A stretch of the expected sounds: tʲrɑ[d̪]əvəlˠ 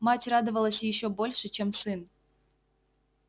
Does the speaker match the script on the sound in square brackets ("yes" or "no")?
yes